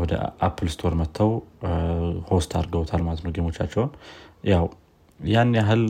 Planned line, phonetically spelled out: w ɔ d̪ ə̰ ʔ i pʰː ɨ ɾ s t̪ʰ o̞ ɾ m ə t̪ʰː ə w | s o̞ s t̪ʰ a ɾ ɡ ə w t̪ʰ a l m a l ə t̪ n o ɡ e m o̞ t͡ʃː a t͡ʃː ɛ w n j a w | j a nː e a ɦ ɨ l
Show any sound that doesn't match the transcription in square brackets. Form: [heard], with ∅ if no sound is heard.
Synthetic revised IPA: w ɔ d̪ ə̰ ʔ [a] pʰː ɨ [l] s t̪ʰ o̞ ɾ m ə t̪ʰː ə w | [h] o̞ s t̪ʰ a ɾ ɡ ə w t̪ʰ a l m a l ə t̪ n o ɡ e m o̞ t͡ʃː a t͡ʃː ɛ w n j a w | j a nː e a ɦ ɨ l